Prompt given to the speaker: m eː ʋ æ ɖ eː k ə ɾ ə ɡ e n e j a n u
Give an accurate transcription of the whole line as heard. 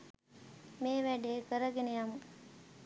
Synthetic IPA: m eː ʋ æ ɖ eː k ə ɾ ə ɡ e n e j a m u